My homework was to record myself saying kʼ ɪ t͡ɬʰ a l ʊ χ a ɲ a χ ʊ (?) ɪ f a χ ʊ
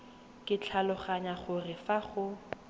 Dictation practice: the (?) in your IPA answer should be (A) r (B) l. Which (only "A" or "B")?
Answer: A